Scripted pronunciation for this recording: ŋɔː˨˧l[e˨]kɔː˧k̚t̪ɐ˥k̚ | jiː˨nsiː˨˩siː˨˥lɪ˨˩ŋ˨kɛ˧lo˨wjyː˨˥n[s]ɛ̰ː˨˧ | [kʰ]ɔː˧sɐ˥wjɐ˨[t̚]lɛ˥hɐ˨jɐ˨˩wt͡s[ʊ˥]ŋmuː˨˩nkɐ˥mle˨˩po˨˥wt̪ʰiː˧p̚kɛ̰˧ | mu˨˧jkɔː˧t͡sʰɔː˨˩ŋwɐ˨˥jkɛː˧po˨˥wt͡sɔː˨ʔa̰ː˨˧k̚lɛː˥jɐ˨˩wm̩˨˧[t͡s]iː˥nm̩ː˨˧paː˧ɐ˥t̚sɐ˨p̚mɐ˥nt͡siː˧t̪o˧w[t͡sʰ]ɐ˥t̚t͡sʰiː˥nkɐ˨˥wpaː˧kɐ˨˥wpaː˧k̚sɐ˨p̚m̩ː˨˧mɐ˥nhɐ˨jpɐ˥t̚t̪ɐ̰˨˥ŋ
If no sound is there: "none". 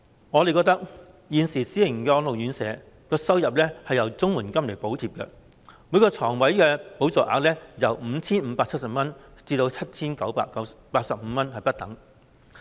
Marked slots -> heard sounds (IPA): e˨, s, k, p̚, ʊ˥, t͡sʰ, t͡sʰ

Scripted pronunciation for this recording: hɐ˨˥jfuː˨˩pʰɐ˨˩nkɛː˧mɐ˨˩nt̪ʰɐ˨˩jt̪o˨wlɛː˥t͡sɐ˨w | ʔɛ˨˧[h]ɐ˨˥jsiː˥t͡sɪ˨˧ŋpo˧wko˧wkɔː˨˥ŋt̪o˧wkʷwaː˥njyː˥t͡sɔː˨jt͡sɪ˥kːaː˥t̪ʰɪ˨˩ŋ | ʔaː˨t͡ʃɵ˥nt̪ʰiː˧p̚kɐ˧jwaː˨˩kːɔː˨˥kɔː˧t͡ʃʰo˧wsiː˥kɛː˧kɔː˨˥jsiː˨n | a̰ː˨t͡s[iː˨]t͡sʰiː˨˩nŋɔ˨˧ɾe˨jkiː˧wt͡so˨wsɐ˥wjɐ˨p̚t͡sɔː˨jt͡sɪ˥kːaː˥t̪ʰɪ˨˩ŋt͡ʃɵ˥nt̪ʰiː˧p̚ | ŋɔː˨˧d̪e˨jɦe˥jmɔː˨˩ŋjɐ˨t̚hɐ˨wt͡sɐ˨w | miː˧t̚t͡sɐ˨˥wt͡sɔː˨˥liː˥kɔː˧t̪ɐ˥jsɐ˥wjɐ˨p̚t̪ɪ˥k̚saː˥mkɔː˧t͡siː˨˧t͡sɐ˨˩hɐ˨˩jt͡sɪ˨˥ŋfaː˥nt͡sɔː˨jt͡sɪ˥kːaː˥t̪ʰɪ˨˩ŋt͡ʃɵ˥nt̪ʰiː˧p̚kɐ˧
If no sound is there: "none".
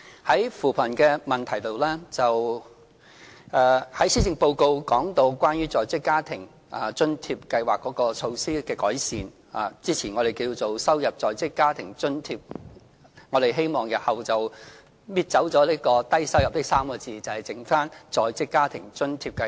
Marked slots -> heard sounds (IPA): h, iː˥

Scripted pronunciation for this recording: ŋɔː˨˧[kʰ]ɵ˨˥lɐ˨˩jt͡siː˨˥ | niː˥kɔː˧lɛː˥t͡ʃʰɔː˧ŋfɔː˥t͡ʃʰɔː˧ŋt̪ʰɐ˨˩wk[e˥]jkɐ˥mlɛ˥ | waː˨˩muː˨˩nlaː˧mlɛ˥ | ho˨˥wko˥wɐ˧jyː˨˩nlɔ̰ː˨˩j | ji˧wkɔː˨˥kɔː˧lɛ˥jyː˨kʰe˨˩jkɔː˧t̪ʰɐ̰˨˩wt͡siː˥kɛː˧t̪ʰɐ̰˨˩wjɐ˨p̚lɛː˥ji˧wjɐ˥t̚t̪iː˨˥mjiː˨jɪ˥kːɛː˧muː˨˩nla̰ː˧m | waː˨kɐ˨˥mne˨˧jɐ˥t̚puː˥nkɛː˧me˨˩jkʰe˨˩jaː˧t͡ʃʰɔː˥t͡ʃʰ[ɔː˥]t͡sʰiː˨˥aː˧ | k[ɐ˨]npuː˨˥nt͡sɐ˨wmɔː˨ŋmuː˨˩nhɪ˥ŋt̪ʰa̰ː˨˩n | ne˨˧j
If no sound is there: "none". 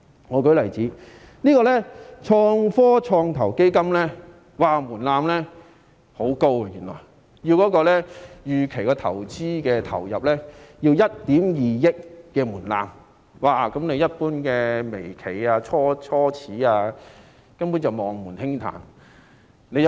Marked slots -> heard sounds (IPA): k, e˥, ɔː˥, ɐ˥

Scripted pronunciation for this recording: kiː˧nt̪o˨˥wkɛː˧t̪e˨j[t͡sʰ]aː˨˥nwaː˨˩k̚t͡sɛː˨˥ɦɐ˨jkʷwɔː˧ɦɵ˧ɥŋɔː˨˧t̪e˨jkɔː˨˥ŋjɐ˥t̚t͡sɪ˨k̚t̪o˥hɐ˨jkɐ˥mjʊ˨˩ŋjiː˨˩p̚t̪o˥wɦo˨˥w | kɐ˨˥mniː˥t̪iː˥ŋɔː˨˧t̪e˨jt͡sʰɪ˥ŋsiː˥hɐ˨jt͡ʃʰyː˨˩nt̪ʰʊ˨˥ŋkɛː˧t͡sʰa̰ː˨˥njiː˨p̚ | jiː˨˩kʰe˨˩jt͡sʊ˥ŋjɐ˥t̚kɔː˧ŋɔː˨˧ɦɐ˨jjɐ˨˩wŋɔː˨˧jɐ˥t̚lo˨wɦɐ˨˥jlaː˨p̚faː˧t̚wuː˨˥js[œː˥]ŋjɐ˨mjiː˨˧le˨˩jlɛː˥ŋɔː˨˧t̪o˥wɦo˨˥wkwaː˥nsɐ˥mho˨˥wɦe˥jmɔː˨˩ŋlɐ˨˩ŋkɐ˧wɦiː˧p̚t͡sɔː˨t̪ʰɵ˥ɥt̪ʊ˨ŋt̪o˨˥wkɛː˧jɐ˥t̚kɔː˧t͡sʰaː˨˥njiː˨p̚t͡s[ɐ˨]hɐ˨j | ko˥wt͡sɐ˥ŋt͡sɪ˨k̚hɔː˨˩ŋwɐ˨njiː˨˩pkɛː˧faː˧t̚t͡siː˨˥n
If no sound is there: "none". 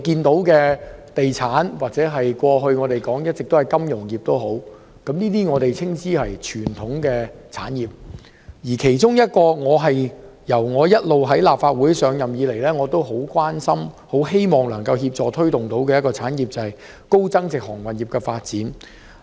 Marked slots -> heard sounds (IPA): t͡sʰ, œː˨˧, ɐ˨

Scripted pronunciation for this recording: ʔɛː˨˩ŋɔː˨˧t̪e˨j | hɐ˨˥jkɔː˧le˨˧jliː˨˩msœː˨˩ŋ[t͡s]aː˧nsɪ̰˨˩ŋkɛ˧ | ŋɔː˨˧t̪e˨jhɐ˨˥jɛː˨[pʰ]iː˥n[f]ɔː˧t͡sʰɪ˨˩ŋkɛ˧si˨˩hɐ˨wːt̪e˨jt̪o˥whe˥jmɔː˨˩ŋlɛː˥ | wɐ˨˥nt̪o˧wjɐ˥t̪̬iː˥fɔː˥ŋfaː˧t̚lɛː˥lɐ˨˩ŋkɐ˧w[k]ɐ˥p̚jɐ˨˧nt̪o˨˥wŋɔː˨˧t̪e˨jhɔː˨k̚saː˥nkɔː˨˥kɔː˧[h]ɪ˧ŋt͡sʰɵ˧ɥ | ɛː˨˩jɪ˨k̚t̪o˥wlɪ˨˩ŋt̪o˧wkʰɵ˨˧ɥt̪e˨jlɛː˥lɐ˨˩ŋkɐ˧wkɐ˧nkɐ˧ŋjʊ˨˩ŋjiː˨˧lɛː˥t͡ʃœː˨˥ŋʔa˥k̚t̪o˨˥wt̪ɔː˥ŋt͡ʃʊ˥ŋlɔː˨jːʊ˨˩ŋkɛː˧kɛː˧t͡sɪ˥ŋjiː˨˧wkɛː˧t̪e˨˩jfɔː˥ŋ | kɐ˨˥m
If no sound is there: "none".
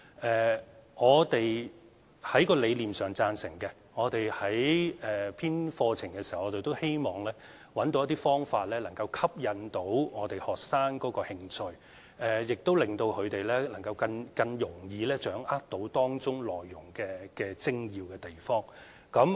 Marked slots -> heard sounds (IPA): t͡s, pʰ, f, kʰ, h

